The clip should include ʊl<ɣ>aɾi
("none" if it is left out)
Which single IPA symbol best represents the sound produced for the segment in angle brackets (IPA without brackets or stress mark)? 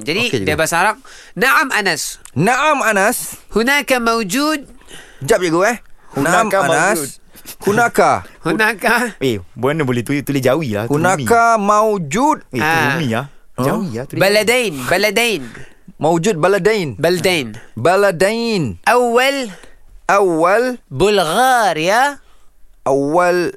ɣ